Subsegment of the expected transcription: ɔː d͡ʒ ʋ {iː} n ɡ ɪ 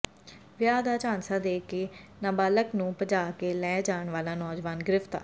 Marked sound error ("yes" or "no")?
yes